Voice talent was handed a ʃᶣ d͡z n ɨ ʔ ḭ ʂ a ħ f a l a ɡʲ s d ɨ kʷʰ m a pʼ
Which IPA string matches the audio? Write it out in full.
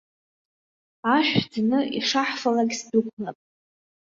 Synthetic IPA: a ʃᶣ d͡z n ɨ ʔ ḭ ʂ a ħ f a l a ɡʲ s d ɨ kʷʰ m a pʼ